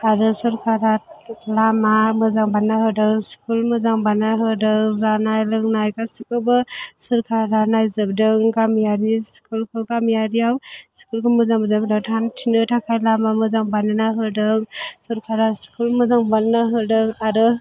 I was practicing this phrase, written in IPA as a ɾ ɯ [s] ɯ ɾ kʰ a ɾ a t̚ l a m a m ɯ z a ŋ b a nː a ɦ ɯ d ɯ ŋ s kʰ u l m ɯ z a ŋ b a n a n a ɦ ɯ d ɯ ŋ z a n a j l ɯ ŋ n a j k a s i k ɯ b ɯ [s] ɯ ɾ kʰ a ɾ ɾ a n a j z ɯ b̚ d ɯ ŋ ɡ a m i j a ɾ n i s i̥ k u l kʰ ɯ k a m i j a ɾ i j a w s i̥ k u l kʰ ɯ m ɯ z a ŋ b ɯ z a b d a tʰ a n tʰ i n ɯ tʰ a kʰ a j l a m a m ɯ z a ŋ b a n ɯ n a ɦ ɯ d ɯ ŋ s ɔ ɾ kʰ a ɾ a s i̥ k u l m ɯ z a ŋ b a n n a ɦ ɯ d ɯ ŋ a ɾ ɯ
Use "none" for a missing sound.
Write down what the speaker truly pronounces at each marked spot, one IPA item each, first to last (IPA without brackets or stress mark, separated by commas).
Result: s, s